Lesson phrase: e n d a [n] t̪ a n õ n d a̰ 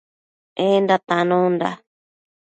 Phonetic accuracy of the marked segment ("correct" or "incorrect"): incorrect